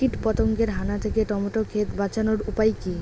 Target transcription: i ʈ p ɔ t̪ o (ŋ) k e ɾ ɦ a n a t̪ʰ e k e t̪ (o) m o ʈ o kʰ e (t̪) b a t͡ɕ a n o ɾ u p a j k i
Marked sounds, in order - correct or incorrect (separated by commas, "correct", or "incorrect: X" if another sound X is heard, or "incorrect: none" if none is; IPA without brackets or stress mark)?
correct, incorrect: ɔ, correct